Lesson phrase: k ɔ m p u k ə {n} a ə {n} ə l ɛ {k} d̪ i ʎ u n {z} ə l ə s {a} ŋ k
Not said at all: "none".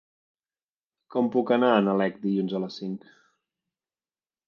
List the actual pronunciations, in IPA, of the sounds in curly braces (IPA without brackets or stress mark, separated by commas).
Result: n, n, k, z, i